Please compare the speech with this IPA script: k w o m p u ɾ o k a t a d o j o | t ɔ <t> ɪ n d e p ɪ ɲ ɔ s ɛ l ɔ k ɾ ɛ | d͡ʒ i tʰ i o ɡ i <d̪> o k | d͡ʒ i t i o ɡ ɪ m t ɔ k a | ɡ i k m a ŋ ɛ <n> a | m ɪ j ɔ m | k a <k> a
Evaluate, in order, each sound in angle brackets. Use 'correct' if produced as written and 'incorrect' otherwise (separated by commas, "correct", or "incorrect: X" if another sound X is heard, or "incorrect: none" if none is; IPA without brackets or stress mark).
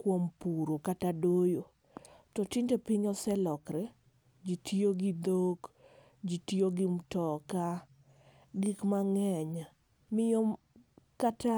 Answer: correct, correct, incorrect: ɲ, incorrect: t